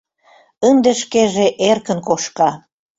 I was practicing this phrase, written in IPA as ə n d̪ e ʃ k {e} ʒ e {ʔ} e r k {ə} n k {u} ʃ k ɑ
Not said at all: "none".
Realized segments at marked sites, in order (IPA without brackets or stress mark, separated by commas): e, ʔ, ə, o